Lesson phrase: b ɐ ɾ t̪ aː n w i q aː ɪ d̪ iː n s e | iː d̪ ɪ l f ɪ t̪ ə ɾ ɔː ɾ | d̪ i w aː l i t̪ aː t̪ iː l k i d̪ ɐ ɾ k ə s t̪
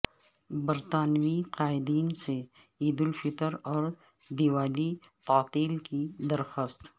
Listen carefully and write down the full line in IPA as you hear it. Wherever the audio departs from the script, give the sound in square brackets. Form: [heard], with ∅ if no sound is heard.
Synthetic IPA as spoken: b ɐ ɾ t̪ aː n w i q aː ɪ d̪ iː n s e | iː d̪ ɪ l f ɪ t̪ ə ɾ ɔː ɾ | d̪ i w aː l i t̪ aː t̪ iː l k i d̪ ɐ ɾ [x] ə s t̪